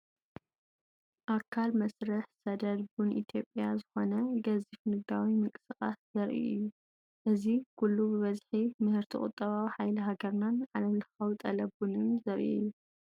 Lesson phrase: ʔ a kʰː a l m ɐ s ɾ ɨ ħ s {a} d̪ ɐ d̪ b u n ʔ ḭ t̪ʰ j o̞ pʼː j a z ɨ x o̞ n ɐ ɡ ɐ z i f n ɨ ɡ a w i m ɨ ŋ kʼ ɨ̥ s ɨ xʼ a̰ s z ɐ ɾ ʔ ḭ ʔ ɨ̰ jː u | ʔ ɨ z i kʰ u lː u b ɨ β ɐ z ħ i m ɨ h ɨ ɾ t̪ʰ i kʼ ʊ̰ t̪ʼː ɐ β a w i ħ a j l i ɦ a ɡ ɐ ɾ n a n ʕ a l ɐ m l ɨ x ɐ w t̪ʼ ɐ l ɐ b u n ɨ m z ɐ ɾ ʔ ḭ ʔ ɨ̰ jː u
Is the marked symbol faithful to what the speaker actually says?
no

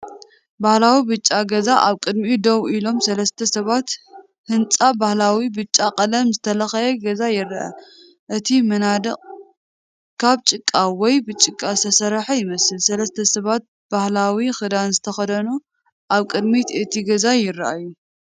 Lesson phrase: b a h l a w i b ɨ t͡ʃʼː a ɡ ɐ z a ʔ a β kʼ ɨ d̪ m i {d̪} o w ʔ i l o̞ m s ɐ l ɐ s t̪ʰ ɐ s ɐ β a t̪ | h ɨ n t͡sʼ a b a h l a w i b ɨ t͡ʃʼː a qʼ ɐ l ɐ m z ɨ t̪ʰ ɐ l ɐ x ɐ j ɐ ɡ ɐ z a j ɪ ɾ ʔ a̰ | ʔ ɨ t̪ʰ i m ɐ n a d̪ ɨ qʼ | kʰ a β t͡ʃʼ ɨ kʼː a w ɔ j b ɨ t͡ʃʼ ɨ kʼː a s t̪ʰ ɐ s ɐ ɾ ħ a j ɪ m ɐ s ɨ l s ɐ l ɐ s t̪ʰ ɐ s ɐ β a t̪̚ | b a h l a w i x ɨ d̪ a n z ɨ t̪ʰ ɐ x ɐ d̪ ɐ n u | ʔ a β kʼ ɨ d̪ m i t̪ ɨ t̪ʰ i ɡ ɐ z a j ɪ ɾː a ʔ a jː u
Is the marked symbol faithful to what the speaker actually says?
yes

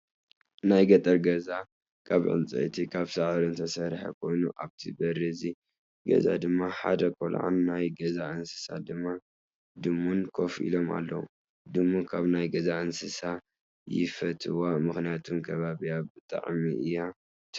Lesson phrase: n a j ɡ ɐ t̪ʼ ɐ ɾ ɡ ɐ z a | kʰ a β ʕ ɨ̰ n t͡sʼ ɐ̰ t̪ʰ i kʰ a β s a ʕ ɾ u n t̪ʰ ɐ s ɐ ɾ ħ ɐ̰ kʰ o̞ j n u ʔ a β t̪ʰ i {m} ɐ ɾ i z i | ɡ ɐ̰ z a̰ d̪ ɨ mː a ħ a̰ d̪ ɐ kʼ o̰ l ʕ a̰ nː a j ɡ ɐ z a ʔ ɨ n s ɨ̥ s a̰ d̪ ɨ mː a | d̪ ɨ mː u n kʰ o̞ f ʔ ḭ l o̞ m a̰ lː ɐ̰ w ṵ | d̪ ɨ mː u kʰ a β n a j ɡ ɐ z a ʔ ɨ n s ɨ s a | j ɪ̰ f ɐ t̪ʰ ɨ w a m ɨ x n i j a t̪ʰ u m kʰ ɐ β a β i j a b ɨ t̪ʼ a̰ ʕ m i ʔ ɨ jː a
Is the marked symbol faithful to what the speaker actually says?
no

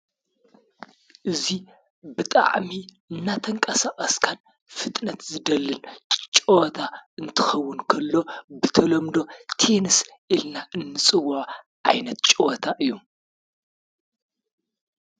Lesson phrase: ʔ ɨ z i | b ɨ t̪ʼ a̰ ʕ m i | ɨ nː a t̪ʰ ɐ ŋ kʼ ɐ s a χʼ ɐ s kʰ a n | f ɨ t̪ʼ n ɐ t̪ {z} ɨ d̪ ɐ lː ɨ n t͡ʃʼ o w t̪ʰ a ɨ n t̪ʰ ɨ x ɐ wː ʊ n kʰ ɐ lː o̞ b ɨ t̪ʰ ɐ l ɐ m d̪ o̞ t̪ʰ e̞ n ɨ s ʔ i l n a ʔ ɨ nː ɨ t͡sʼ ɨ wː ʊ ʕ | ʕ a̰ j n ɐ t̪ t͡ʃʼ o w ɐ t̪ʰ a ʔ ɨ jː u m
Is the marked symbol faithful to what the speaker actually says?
yes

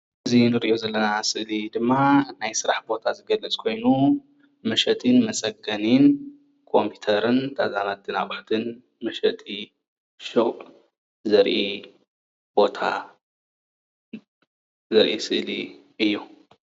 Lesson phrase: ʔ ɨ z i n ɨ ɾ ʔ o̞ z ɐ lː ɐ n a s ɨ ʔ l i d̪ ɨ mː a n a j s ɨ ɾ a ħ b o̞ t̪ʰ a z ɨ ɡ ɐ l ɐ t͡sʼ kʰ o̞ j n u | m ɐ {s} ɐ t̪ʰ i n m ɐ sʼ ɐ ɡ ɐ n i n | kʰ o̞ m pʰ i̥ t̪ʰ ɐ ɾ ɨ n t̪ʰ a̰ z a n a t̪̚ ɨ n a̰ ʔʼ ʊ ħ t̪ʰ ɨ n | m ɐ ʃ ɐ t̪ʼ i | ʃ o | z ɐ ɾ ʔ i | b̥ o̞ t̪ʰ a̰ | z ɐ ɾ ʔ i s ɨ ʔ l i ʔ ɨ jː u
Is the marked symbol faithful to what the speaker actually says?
no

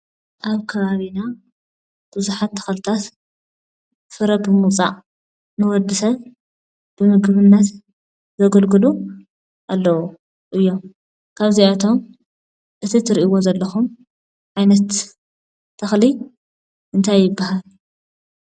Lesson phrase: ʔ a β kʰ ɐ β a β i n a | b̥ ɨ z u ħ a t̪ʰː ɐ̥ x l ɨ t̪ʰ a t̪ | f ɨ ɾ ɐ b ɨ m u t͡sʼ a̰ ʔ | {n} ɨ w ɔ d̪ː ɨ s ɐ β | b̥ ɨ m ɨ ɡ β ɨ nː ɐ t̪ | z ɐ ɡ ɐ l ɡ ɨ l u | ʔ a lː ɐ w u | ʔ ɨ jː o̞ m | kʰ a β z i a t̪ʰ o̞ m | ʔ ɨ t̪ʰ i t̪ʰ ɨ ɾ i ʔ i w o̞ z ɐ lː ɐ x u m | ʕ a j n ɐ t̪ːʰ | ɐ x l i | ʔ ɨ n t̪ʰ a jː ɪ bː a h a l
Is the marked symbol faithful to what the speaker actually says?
yes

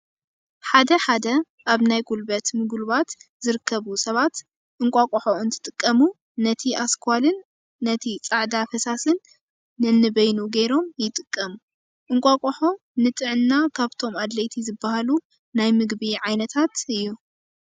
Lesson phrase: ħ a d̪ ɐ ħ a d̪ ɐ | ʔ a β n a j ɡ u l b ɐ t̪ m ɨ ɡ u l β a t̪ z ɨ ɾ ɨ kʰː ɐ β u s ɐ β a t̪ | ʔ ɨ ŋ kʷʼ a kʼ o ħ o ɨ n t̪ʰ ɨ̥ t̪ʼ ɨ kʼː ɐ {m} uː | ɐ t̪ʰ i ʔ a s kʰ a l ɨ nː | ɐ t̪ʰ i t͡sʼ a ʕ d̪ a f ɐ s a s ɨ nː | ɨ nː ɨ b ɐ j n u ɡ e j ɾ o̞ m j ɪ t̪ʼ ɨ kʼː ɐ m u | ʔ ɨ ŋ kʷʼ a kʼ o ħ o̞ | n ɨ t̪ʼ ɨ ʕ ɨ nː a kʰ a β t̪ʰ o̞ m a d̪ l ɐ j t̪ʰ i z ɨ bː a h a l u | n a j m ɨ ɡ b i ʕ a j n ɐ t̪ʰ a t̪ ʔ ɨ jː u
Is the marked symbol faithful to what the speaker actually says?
yes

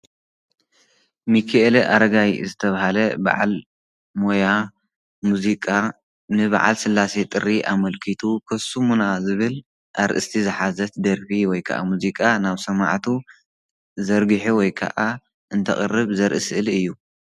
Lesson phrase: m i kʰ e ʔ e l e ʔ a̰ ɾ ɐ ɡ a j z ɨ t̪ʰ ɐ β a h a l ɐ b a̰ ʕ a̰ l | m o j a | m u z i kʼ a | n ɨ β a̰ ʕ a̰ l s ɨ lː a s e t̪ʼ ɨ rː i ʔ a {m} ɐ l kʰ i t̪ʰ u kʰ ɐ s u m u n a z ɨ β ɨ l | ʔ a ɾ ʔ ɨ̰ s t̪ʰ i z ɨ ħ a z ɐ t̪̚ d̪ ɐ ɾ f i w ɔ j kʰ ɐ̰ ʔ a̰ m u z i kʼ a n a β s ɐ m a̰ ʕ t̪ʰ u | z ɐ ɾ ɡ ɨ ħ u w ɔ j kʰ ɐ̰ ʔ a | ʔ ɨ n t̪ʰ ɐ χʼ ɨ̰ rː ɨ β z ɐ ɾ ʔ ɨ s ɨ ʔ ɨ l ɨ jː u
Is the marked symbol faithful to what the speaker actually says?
yes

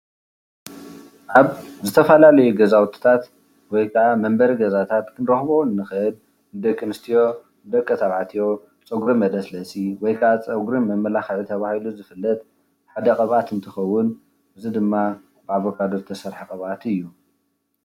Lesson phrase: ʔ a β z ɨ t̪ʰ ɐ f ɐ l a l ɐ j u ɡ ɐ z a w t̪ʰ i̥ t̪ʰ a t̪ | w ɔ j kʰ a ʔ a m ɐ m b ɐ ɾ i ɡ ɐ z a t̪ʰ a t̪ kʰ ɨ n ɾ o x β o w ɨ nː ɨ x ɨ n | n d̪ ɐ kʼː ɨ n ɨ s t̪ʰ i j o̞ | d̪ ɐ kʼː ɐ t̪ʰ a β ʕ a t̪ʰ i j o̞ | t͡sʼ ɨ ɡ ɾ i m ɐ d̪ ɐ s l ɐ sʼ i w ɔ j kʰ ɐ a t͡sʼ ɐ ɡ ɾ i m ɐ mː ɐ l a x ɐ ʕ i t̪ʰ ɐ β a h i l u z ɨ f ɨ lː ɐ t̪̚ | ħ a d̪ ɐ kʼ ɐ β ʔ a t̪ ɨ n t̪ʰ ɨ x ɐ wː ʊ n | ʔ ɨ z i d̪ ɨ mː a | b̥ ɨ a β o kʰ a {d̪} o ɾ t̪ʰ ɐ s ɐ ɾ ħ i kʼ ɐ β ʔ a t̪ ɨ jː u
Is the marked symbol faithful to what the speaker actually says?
yes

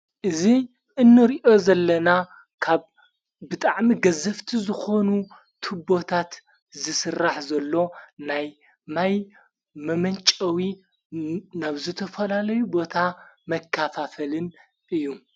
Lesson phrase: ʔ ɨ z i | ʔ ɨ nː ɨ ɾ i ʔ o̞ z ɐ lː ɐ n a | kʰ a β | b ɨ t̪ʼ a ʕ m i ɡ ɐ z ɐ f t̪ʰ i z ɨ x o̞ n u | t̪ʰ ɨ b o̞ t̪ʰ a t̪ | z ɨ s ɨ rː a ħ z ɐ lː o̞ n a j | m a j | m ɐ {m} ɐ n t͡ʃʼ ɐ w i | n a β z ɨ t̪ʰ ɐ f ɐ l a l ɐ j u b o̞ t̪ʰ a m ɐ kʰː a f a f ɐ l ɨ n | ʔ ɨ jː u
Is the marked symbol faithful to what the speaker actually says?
yes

